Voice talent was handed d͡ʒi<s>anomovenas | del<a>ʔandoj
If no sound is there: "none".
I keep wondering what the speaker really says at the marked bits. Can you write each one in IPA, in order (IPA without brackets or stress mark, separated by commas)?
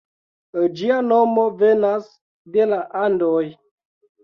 none, a